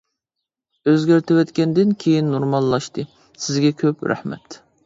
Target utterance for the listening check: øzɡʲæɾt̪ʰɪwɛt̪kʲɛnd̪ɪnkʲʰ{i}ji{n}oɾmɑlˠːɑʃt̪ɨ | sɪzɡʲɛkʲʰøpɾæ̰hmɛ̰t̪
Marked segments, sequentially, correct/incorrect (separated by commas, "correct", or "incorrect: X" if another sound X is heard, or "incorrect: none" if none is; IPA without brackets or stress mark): incorrect: e, incorrect: nː